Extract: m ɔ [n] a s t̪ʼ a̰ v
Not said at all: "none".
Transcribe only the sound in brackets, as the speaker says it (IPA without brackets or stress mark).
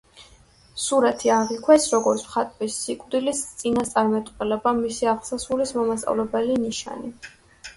m